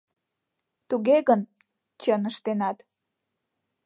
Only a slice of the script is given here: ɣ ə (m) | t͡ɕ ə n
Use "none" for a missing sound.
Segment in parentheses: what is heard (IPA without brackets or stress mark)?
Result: n